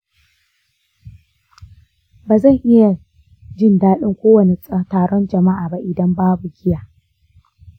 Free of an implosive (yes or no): no